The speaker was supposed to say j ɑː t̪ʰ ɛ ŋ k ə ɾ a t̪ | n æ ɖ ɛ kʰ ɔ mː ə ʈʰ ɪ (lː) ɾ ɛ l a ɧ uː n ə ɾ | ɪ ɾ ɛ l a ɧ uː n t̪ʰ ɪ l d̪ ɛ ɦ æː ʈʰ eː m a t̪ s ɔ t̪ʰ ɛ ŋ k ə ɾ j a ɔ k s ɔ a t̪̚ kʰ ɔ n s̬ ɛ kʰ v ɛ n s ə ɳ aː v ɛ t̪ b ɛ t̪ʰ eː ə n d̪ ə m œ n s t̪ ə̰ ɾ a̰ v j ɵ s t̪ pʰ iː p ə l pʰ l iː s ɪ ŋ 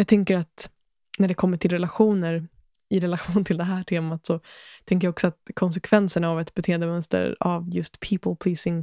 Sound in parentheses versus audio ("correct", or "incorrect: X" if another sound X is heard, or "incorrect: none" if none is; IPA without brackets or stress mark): incorrect: l